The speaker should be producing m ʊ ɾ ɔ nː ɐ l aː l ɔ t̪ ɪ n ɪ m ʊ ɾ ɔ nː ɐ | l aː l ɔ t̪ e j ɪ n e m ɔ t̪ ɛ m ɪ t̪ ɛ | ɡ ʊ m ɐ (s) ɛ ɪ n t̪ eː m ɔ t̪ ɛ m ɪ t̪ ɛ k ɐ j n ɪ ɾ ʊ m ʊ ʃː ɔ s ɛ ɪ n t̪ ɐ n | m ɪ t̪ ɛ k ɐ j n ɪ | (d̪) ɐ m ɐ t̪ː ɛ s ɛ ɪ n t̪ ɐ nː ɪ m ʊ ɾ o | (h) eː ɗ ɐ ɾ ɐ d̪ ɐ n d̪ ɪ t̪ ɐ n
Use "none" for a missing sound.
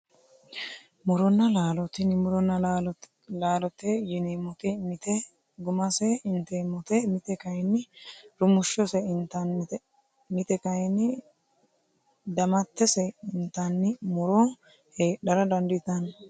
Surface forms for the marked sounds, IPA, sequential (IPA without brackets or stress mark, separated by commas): s, d̪, h